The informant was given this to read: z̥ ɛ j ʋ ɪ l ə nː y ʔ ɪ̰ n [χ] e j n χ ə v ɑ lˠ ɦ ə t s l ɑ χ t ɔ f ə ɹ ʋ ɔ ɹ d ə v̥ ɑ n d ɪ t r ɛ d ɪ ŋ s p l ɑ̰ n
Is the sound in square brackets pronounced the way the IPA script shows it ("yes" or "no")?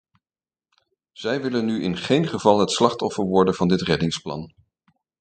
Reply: yes